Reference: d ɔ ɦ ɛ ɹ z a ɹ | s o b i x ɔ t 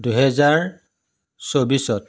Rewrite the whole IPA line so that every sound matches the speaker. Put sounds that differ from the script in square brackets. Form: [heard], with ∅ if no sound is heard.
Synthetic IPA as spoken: d [u] ɦ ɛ [∅] z a ɹ | s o b i [s] ɔ t

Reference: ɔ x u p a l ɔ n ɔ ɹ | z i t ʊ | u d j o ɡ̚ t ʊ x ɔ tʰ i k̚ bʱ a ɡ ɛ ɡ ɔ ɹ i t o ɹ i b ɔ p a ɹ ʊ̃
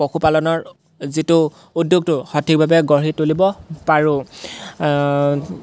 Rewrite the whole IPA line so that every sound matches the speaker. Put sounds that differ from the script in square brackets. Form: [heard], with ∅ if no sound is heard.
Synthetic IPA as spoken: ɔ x u p a l ɔ n ɔ ɹ | z i t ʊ | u d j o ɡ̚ t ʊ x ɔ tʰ i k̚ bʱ a [b] ɛ ɡ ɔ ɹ i t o [l] i b ɔ p a ɹ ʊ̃

